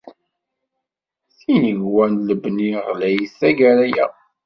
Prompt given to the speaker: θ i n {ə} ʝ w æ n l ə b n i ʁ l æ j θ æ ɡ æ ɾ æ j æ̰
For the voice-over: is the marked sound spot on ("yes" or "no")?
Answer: yes